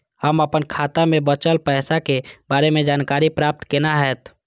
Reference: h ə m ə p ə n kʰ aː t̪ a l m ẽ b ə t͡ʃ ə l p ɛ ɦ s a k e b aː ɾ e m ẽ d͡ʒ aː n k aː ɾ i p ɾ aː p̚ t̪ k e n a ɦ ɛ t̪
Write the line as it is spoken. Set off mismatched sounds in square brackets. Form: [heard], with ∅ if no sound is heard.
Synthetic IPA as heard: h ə m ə p ə n kʰ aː t̪ a [∅] m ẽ b ə t͡ʃ ə l p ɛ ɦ s a k e b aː ɾ e m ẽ d͡ʒ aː n k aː ɾ i p ɾ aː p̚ t̪ k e n a ɦ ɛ t̪